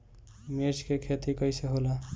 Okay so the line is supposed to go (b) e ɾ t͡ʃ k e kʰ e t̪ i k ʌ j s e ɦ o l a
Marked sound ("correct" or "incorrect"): incorrect